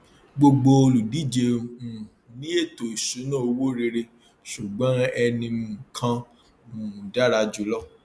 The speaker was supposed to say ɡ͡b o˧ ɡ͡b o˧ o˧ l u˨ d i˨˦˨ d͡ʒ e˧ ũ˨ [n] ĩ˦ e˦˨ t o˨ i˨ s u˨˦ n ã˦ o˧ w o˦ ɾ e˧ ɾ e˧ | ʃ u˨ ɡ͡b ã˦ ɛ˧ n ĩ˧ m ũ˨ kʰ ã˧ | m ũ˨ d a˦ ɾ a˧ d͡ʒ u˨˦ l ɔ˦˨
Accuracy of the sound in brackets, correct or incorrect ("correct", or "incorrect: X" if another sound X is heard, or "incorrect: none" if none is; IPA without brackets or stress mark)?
correct